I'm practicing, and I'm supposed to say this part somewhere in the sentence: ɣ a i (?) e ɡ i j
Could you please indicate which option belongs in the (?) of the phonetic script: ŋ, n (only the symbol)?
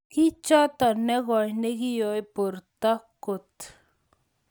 n